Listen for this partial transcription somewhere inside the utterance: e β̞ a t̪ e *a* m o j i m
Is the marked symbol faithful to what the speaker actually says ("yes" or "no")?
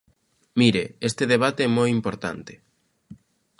no